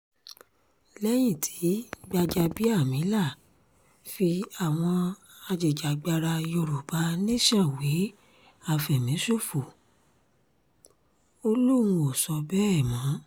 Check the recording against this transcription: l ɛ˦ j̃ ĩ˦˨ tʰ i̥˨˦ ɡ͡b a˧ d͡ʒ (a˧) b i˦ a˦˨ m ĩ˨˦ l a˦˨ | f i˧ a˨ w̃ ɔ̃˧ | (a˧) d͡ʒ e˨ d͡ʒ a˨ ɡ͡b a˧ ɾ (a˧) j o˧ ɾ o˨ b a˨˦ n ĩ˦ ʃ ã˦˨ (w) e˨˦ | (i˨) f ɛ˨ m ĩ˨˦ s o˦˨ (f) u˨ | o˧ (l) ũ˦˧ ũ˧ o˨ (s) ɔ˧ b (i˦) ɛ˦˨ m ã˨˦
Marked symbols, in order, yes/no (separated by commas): yes, yes, yes, yes, no, yes, yes, yes, no